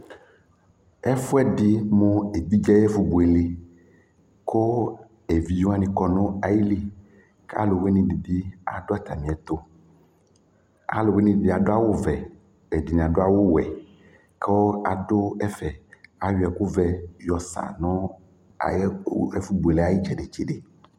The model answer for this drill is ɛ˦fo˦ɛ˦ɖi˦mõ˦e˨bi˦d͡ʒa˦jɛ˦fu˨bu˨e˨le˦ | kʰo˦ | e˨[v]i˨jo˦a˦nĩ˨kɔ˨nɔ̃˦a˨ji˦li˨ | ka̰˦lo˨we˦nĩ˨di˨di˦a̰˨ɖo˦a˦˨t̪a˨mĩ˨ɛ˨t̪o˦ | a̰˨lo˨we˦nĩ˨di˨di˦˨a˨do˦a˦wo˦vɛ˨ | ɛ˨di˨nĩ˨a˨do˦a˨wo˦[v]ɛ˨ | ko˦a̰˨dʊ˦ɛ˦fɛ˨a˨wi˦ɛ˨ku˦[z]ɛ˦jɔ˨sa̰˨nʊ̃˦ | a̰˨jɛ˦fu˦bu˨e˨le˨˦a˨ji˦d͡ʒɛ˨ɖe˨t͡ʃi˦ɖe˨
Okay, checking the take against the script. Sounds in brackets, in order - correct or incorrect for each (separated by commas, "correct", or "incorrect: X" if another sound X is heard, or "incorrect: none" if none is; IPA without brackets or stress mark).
correct, incorrect: w, incorrect: v